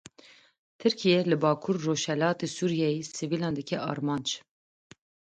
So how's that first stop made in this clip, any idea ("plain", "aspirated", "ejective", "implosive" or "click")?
aspirated